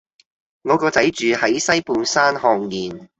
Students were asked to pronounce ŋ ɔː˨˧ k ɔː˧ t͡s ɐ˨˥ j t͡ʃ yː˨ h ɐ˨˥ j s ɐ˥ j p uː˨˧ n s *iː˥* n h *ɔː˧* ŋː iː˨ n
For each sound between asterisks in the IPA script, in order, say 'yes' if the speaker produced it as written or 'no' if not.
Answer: no, yes

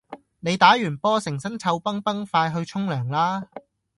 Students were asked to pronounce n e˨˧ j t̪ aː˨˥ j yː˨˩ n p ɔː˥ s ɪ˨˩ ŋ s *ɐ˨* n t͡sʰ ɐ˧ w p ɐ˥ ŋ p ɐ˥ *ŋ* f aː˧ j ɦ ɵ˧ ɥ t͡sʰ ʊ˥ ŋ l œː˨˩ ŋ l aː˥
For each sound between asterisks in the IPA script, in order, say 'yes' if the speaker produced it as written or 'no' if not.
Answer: no, yes

